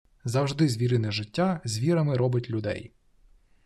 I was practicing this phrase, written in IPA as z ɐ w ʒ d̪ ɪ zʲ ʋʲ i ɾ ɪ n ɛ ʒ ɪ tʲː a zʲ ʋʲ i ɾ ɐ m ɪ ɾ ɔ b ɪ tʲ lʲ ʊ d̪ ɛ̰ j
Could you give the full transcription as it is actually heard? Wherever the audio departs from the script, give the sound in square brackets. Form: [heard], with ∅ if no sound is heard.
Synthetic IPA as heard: z ɐ w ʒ d̪ ɪ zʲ ʋʲ i ɾ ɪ n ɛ ʒ ɪ tʲː a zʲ ʋʲ i ɾ ɐ m ɪ ɾ ɔ b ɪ tʲ lʲ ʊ d̪ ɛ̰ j